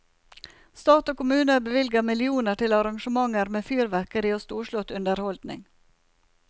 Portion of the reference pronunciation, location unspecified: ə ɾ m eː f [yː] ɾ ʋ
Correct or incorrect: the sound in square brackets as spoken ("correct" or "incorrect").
correct